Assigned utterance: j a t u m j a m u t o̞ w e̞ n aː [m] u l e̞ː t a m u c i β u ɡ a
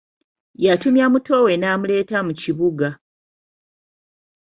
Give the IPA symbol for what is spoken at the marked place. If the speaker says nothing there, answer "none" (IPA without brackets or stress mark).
m